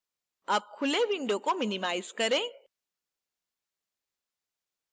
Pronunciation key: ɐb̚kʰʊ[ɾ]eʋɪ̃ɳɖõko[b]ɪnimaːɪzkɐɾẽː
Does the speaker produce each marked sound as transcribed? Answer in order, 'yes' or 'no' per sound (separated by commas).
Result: no, no